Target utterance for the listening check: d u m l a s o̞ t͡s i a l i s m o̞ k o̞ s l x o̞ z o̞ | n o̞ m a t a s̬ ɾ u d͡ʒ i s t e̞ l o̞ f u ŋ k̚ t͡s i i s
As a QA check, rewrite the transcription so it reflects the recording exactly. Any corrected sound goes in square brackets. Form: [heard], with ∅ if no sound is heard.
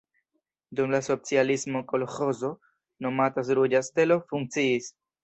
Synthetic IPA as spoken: d u m l a s o̞ t͡s i a l i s m o̞ k o̞ [∅] l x o̞ z o̞ | n o̞ m a t a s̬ ɾ u d͡ʒ [a] s t e̞ l o̞ f u ŋ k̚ t͡s i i s

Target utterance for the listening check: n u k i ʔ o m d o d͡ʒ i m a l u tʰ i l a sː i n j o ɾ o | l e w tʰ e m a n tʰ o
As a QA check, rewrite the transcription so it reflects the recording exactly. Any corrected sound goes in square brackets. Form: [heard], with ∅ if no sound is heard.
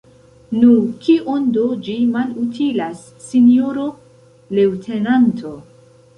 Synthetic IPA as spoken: n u k i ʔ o [n] d o d͡ʒ i m a l u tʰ i l a sː i n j o ɾ o | l e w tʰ e [n] a n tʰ o

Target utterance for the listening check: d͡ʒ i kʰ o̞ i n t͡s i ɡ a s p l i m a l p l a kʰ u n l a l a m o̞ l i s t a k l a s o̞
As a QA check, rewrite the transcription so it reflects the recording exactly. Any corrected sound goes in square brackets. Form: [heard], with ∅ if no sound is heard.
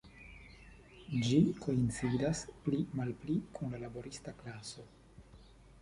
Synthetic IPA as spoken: d͡ʒ i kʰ o̞ i n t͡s i [d] a s p l i m a l p l [i] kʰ u n l a l a [b] o̞ [ɾ] i s t a k l a s o̞

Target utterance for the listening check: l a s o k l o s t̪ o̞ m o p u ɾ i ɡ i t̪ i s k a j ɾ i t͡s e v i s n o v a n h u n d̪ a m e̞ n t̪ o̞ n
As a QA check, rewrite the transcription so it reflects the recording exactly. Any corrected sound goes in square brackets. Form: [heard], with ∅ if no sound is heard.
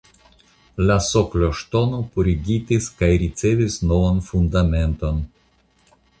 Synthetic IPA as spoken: l a s o k l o [ʃ] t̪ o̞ [n] o p u ɾ i ɡ i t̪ i s k a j ɾ i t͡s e v i s n o v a n [f] u n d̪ a m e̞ n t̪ o̞ n

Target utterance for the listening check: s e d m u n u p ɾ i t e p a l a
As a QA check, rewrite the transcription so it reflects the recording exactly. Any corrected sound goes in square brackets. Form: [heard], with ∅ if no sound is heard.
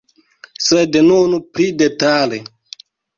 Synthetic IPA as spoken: s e d [n] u n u p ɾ i [d] e [t] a l [e]

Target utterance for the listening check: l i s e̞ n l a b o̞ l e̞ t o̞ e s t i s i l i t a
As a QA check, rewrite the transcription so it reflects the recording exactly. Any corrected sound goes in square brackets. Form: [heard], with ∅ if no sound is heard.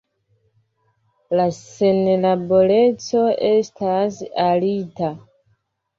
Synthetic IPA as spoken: l [a] s e̞ n l a b o̞ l e̞ [t͡s] o̞ e s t [a] s [a] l i t a

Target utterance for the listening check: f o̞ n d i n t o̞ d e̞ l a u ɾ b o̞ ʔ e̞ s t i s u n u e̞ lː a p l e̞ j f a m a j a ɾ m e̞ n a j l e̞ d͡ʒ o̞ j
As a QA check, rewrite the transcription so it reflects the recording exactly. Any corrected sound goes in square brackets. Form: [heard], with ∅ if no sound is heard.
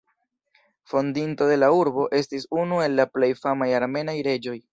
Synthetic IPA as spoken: f o̞ n d i n t o̞ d e̞ l a u ɾ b o̞ ʔ e̞ s t i s u n u e̞ lː a p l e̞ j f a m a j a ɾ m e̞ n a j [ɾ] e̞ d͡ʒ o̞ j

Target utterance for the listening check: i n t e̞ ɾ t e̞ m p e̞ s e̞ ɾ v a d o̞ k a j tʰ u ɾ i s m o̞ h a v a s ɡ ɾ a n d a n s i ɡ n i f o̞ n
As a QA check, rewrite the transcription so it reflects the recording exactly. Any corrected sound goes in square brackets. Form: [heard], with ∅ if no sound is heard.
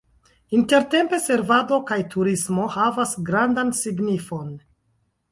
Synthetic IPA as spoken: i n t e̞ ɾ t e̞ m p e̞ s e̞ ɾ v a d o̞ k a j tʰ u ɾ i s m o̞ h a v a s ɡ ɾ a n d a n s i ɡ n i f o̞ n

